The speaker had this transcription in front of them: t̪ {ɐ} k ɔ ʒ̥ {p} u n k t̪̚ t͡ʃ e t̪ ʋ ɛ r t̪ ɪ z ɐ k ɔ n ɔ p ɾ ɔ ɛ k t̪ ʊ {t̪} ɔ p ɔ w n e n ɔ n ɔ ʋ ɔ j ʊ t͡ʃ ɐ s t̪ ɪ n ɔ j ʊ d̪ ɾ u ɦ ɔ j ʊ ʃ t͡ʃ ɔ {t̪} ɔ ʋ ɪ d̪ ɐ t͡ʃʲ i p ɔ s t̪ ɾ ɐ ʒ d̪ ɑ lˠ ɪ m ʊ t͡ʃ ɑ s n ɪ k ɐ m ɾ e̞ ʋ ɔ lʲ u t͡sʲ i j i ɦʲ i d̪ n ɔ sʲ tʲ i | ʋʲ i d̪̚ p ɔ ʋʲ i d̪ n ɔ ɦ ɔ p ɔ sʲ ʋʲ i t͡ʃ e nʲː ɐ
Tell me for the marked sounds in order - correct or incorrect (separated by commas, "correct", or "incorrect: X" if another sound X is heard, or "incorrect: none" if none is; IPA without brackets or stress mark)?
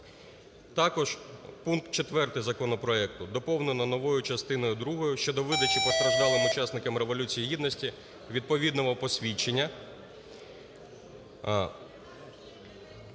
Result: incorrect: ɑ, correct, incorrect: d̪, incorrect: d̪